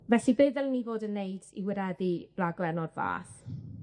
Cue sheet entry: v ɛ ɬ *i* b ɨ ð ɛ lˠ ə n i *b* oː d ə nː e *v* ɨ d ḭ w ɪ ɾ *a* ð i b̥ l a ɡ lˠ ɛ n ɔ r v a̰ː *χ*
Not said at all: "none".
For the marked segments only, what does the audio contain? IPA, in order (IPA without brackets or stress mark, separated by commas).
i, v, none, ɛ, θ